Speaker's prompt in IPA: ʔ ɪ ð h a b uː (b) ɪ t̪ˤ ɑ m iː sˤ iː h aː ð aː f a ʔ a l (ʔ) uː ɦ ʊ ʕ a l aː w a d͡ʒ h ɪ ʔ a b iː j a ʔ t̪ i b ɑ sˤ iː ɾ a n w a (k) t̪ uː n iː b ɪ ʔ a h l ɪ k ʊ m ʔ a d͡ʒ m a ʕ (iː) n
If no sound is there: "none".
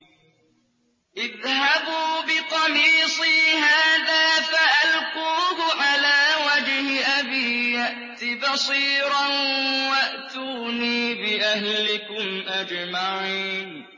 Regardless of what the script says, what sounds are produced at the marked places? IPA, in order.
b, q, ʔ, iː

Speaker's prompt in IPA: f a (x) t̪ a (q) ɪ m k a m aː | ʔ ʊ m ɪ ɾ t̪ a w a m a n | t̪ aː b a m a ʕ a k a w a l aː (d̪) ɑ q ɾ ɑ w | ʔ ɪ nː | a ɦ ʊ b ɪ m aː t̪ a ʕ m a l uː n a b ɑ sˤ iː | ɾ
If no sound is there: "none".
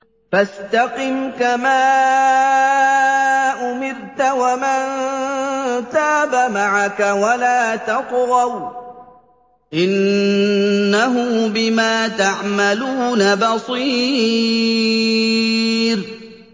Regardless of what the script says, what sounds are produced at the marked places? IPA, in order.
s, q, t̪

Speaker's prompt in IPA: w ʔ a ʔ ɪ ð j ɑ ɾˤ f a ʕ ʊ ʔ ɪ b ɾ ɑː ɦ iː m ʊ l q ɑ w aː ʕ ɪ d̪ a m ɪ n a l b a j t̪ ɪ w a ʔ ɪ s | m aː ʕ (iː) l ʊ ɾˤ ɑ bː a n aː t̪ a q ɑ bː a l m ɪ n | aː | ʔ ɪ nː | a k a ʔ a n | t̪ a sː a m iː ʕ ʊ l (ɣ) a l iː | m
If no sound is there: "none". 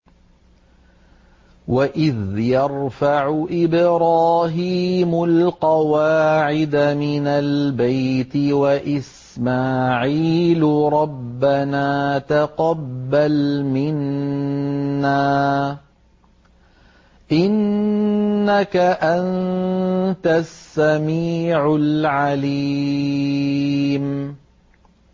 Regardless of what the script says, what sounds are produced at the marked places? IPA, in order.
iː, ʕ

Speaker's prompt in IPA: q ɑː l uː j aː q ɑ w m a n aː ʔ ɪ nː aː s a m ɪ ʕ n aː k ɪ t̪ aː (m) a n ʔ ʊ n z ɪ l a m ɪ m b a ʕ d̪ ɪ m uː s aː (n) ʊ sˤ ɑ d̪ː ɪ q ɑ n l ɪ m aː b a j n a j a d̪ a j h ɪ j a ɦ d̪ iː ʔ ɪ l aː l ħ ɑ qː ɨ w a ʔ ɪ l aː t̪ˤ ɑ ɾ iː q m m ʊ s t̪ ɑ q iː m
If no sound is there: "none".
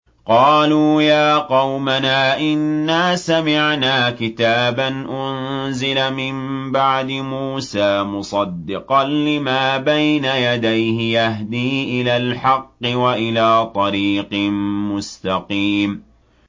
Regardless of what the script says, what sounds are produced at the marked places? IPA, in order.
b, m

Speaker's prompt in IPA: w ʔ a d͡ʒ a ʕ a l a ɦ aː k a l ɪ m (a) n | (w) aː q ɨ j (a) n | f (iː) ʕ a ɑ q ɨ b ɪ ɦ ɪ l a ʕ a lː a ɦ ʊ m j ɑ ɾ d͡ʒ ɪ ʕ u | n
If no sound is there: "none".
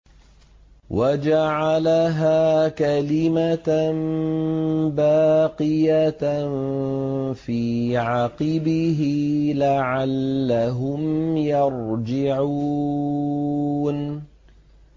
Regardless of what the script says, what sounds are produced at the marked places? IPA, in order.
a, b, a, iː

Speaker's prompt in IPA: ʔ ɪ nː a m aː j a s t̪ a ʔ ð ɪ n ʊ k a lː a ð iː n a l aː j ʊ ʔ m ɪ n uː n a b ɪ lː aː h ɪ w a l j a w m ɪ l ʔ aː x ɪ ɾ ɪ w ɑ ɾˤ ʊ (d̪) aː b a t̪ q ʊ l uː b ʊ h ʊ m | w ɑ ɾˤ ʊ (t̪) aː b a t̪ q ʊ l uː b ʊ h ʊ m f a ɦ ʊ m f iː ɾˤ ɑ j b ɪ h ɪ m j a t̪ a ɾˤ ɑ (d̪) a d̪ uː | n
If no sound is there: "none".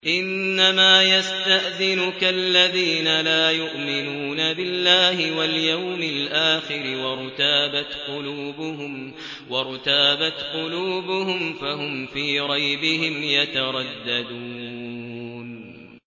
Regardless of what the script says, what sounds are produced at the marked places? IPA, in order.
t̪, t̪, d̪ː

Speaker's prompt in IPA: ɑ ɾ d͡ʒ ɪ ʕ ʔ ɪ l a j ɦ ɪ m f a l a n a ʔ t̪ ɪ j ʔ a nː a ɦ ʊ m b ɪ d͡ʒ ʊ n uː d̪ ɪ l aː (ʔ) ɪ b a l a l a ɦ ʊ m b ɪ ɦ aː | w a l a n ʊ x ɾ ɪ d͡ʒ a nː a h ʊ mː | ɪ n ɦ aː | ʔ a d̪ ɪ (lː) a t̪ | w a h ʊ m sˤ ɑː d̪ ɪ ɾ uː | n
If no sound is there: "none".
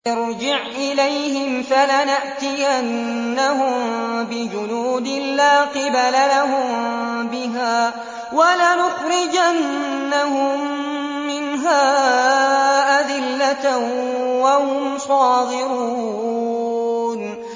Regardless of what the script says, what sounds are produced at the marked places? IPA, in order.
q, lː

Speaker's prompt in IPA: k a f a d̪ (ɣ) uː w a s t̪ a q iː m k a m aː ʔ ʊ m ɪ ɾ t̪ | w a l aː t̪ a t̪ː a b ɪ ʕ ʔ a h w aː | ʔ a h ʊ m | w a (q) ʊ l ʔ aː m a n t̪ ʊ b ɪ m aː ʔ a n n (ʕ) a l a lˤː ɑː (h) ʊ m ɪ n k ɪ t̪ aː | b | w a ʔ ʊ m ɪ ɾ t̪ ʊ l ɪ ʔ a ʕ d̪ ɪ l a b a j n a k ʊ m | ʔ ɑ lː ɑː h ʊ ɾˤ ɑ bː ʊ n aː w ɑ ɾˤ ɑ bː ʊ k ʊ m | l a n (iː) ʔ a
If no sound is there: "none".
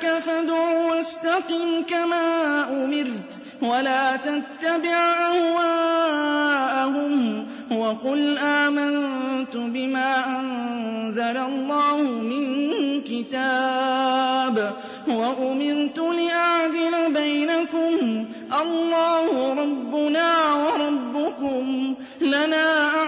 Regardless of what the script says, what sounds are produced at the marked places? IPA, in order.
ʕ, q, z, h, aː

